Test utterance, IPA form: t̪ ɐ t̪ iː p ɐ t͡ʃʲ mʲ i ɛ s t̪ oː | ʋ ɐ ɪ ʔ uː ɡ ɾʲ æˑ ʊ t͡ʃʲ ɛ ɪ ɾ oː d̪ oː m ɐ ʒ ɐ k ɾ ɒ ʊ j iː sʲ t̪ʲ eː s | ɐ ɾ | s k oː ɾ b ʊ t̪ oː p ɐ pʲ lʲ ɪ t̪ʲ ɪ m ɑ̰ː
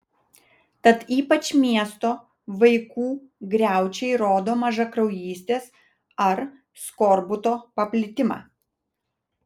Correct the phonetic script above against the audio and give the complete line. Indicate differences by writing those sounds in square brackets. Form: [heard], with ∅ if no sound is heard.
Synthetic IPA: t̪ ɐ t̪ iː p ɐ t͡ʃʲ mʲ i ɛ s t̪ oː | ʋ ɐ ɪ [k] uː ɡ ɾʲ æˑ ʊ t͡ʃʲ ɛ ɪ ɾ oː d̪ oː m ɐ ʒ ɐ k ɾ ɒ ʊ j iː sʲ t̪ʲ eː s | ɐ ɾ | s k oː ɾ b ʊ t̪ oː p ɐ pʲ lʲ ɪ t̪ʲ ɪ m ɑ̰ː

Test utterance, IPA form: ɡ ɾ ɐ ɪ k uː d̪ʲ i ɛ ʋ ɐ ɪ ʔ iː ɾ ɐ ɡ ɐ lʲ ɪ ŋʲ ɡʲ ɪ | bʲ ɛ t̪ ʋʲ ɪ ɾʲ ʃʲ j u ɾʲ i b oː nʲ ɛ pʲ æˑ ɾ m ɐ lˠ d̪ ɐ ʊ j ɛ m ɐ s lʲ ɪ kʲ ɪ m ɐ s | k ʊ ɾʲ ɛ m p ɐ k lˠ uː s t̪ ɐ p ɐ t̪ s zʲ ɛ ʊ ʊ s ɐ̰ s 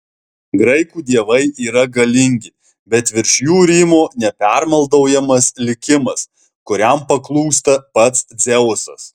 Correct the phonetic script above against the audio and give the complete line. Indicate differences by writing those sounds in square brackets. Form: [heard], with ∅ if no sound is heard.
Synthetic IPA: ɡ ɾ ɐ ɪ k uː d̪ʲ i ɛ ʋ ɐ ɪ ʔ iː ɾ ɐ ɡ ɐ lʲ ɪ ŋʲ ɡʲ ɪ | bʲ ɛ t̪ ʋʲ ɪ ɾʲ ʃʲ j [uː] ɾʲ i [m] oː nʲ ɛ pʲ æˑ ɾ m ɐ lˠ d̪ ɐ ʊ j ɛ m ɐ s lʲ ɪ kʲ ɪ m ɐ s | k ʊ ɾʲ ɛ m p ɐ k lˠ uː s t̪ ɐ p ɐ t̪ s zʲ ɛ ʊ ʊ s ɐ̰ s

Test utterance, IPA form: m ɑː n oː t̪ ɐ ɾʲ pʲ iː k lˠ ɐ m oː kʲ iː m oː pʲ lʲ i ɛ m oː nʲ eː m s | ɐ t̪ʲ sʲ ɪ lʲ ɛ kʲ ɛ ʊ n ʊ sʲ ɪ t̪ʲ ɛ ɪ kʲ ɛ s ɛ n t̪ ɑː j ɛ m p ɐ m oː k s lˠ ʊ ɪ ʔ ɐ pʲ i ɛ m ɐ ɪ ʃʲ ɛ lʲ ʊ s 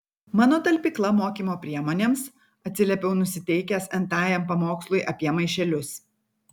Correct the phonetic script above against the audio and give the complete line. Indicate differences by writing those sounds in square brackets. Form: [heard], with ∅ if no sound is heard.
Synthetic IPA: m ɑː n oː t̪ ɐ [lʲ] pʲ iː k lˠ ɐ m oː kʲ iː m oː pʲ [ɾʲ] i ɛ m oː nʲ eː m s | ɐ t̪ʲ sʲ ɪ lʲ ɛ [pʲ] ɛ ʊ n ʊ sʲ ɪ t̪ʲ ɛ ɪ kʲ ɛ s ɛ n t̪ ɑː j ɛ m p ɐ m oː k s lˠ ʊ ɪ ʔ ɐ pʲ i ɛ m ɐ ɪ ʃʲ ɛ lʲ ʊ s

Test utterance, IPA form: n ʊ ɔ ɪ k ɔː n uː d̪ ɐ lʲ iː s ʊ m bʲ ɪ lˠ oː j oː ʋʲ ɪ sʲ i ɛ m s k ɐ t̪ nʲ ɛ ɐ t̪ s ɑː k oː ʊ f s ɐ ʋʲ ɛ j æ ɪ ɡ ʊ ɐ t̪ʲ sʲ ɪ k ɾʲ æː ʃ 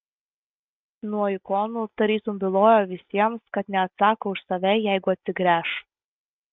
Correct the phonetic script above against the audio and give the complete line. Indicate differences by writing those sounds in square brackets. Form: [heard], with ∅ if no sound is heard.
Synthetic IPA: n [u] ɔ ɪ k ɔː n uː [t̪] ɐ [ɾʲ] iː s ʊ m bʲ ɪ lˠ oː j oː ʋʲ ɪ sʲ i ɛ m s k ɐ t̪ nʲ ɛ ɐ t̪ s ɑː k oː ʊ [ʃ] s ɐ ʋʲ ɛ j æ ɪ ɡ ʊ ɐ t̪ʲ sʲ ɪ [ɡ] ɾʲ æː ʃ

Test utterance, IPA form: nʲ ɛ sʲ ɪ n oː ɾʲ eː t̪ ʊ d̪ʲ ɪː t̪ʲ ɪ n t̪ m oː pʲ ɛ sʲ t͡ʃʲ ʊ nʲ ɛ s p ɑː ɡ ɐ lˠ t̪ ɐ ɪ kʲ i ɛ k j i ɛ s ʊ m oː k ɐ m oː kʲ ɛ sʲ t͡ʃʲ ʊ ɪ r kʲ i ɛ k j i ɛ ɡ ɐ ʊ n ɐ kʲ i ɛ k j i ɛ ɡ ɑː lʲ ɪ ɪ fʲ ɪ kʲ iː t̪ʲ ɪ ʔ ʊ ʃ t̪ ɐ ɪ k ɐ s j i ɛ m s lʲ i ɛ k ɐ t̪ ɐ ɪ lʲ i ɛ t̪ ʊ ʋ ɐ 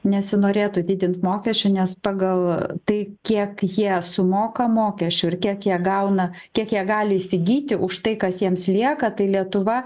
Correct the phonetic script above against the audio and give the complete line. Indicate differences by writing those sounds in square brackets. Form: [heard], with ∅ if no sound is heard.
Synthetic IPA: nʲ ɛ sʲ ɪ n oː ɾʲ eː t̪ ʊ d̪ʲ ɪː [d̪ʲ] ɪ n t̪ m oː [kʲ] ɛ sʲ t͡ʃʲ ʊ nʲ ɛ s p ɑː ɡ ɐ lˠ t̪ ɐ ɪ kʲ i ɛ k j i ɛ s ʊ m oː k ɐ m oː kʲ ɛ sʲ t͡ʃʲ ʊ ɪ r kʲ i ɛ k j i ɛ ɡ ɐ ʊ n ɐ kʲ i ɛ k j i ɛ ɡ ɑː lʲ ɪ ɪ [sʲ] ɪ [ɡʲ] iː t̪ʲ ɪ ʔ ʊ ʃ t̪ ɐ ɪ k ɐ s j i ɛ m s lʲ i ɛ k ɐ t̪ ɐ ɪ lʲ i ɛ t̪ ʊ ʋ ɐ

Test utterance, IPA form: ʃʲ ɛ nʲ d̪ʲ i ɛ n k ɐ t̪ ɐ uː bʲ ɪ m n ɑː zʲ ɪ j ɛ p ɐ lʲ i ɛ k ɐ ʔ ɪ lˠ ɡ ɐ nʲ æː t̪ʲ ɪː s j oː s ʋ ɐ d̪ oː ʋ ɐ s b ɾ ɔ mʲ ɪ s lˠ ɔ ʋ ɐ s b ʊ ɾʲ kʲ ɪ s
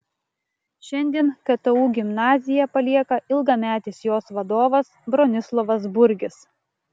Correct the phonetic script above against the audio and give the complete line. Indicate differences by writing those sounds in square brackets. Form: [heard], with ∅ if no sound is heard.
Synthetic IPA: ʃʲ ɛ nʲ d̪ʲ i ɛ n k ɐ t̪ ɐ uː [ɡʲ] ɪ m n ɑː zʲ ɪ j ɛ p ɐ lʲ i ɛ k ɐ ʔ ɪ lˠ ɡ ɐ [mʲ] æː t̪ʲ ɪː s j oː s ʋ ɐ d̪ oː ʋ ɐ s b ɾ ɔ [nʲ] ɪ s lˠ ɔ ʋ ɐ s b ʊ ɾʲ [ɡʲ] ɪ s

